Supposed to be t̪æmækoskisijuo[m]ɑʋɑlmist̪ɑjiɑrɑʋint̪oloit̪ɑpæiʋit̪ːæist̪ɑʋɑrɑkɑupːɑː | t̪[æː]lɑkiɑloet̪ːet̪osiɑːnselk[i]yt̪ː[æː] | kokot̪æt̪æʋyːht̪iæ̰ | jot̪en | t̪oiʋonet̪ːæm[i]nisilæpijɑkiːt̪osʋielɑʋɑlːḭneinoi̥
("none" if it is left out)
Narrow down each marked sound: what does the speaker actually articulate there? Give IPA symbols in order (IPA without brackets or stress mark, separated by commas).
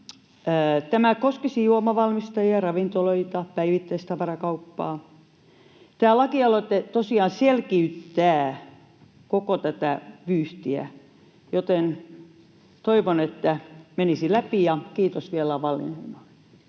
m, æː, i, æː, e